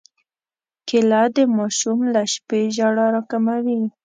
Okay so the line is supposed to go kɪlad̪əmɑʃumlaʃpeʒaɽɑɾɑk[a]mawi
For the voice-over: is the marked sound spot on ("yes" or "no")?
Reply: yes